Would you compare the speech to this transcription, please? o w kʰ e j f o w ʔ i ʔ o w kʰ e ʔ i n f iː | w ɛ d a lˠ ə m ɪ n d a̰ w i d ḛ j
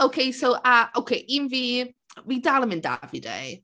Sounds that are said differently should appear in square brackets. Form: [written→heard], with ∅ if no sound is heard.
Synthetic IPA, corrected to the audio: o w kʰ e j [f→s] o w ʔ [i→a] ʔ o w kʰ e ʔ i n [f→v] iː | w [ɛ→i] d a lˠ ə m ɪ n d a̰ [w→v] i d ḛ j